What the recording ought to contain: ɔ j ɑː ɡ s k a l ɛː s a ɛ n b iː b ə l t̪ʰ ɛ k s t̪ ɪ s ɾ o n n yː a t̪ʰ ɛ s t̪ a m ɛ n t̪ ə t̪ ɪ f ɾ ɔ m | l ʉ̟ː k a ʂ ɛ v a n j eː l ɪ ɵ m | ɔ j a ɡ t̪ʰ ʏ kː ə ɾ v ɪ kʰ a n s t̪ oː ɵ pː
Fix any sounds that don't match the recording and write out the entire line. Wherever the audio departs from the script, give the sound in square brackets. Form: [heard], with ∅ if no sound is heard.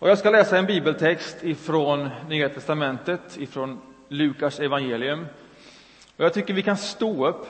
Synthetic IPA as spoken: ɔ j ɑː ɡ s k a l ɛː s a ɛ n b iː b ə l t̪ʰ ɛ k s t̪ ɪ [f] ɾ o n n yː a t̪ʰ ɛ s t̪ a m ɛ n t̪ ə t̪ ɪ f ɾ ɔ [n] | l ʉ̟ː k a ʂ ɛ v a n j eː l ɪ ɵ m | ɔ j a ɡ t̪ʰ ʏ kː ə ɾ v ɪ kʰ a n s t̪ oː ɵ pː